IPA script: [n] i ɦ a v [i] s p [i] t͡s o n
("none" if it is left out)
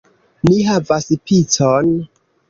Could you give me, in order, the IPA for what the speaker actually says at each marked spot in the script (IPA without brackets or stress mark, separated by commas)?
n, a, i